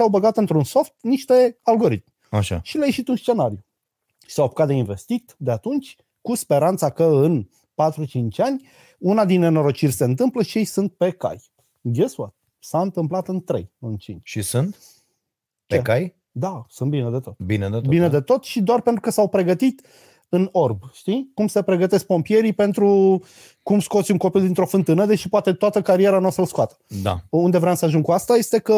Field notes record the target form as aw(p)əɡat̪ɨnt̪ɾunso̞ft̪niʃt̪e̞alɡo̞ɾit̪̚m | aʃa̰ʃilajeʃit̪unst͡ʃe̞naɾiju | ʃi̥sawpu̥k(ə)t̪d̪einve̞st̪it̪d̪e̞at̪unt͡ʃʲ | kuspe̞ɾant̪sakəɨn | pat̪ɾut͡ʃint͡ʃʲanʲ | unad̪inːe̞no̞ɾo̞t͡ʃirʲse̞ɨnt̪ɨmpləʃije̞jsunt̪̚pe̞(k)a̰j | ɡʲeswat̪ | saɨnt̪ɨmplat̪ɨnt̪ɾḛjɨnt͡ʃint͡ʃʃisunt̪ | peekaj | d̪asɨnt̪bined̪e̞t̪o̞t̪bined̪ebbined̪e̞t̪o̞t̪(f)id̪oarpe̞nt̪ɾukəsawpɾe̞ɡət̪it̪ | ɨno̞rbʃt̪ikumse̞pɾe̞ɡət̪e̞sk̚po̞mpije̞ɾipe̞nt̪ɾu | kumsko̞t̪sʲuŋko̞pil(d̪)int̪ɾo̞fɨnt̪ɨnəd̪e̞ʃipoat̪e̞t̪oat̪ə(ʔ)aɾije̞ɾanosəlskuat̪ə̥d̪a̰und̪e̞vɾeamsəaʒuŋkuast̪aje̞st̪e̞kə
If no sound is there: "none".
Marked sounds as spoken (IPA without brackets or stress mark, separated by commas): b, a, k, ʃ, d̪, k